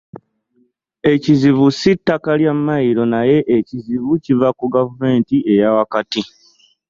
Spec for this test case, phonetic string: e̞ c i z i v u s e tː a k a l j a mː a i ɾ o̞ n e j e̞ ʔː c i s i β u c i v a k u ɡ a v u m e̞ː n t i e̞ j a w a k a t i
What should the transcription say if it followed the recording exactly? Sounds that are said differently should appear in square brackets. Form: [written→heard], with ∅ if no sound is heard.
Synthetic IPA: e̞ c i z i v u s [e→i] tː a k a l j a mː a i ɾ o̞ n [e→a] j e̞ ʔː c i [s→z] i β u c i v a k u ɡ a v u m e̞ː n t i e̞ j a w a k a t i